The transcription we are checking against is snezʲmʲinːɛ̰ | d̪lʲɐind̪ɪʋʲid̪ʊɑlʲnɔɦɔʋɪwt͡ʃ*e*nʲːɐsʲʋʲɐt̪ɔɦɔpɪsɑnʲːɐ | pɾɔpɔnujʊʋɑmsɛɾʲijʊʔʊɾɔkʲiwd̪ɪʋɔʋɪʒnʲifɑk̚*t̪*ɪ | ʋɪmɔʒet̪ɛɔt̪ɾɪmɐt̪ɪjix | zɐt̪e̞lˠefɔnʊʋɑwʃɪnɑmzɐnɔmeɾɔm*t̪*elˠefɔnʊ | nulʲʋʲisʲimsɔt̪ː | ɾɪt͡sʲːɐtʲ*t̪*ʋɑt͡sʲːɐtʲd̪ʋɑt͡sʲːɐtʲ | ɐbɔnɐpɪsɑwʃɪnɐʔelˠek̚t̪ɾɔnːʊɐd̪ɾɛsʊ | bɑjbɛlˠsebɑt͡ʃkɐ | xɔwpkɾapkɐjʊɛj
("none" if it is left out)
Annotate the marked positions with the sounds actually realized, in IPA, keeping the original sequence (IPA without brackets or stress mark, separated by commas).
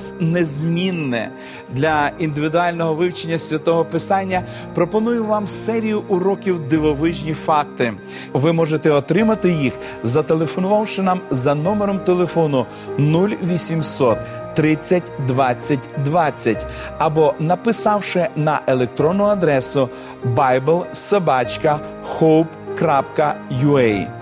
e, t̪, t̪, d̪